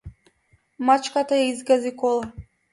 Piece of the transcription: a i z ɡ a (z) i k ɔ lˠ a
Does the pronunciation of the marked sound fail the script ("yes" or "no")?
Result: no